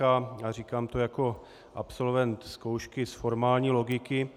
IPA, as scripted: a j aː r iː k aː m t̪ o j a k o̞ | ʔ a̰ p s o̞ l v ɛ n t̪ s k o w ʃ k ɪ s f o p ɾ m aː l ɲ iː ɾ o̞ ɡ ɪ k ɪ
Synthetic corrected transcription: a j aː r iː k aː m t̪ o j a k o̞ | ʔ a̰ p s o̞ l v ɛ n t̪ s k o w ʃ k ɪ s f o ɾ m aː l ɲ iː l o̞ ɡ ɪ k ɪ